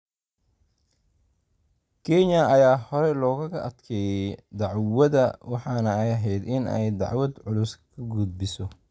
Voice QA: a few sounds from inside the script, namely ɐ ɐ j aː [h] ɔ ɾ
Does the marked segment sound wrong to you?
no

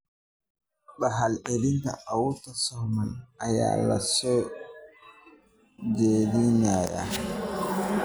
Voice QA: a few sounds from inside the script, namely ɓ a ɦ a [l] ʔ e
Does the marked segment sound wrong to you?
no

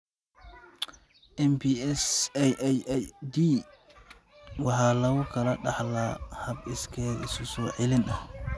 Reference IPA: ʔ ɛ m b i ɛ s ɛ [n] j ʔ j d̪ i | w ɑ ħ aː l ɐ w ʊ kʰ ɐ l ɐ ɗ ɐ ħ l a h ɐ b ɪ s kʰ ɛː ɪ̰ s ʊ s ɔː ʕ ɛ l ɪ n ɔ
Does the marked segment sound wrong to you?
yes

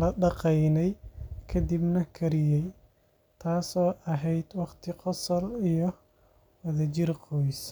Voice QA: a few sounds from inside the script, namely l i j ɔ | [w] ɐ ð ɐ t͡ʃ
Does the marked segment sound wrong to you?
no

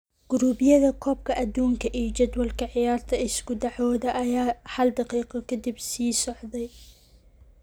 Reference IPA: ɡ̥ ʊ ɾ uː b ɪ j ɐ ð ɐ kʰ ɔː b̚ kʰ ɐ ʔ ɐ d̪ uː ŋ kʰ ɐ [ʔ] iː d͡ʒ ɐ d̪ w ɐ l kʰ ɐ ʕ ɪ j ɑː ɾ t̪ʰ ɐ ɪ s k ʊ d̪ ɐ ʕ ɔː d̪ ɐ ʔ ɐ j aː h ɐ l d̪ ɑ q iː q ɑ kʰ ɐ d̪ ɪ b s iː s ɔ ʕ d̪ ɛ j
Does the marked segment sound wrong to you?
no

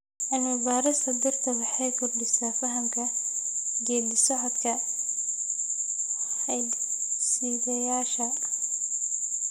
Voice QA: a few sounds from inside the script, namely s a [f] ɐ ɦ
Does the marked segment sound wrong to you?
no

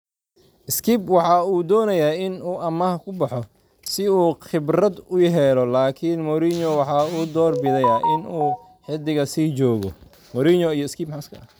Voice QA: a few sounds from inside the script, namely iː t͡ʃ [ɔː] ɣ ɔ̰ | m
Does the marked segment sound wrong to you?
no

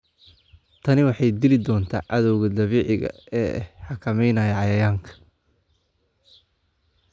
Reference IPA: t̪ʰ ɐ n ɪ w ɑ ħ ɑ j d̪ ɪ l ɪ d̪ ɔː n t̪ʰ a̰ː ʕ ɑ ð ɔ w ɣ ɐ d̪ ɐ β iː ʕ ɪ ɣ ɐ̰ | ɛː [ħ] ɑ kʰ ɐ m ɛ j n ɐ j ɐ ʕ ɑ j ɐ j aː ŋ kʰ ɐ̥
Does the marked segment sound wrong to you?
no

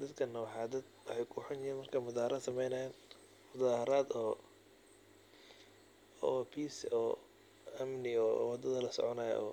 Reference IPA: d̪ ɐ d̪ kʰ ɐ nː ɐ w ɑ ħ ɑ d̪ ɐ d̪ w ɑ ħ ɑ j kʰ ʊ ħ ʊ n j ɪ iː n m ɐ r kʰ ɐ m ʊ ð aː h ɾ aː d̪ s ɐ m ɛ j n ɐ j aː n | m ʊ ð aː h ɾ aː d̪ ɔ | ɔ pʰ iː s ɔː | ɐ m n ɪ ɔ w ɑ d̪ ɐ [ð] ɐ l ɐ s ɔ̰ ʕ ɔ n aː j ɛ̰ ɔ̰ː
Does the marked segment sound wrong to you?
no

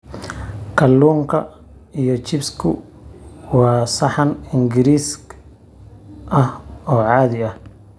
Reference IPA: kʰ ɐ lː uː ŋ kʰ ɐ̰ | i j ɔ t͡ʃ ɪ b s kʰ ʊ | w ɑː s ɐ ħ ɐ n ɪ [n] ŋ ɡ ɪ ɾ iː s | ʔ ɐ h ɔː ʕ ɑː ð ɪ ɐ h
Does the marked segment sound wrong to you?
yes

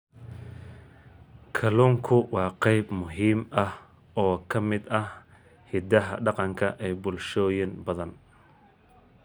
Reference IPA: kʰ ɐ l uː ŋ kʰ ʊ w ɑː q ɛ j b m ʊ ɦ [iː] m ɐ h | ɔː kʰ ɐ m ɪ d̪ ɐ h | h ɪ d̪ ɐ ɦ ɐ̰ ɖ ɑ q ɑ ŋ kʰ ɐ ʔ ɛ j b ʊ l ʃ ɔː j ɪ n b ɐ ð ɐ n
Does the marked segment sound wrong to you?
no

